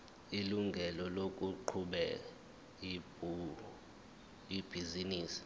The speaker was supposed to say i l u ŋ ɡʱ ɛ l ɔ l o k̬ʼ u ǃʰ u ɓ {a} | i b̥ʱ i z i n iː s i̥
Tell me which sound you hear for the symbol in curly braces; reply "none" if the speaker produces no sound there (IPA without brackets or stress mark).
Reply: ɛ